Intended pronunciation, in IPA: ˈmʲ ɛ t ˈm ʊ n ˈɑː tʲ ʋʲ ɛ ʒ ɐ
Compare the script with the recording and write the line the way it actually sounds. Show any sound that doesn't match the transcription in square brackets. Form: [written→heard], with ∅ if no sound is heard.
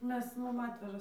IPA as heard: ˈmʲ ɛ [t→s] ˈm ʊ [n→m] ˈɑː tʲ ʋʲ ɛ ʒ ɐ